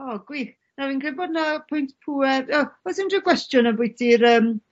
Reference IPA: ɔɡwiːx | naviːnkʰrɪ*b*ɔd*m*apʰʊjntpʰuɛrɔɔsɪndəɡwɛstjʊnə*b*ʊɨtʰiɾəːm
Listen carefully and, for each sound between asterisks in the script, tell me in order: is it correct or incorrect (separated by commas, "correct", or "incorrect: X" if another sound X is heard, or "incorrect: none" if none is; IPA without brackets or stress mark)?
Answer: correct, incorrect: n, correct